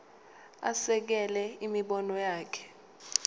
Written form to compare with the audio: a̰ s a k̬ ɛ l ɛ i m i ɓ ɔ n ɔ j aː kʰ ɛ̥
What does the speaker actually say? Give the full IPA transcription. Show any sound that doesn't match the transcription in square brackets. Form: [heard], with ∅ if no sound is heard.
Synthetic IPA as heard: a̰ s [ɛ] k̬ ɛ l ɛ i m i ɓ ɔ n ɔ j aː kʰ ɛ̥